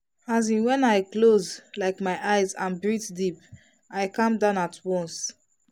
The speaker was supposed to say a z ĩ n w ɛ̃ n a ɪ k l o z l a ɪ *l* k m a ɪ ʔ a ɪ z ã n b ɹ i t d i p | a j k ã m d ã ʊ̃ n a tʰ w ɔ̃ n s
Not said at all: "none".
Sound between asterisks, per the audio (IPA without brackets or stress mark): none